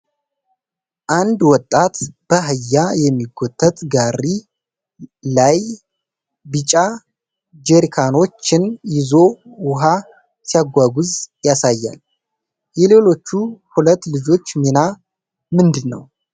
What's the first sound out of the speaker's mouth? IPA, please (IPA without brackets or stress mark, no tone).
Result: ʔ